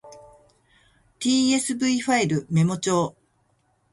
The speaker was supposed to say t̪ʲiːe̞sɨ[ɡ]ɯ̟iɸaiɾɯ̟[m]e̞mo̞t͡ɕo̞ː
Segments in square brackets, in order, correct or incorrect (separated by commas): incorrect, correct